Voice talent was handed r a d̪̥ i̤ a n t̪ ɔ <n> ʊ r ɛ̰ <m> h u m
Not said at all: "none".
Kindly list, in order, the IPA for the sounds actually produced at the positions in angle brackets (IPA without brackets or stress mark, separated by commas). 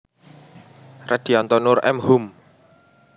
n, m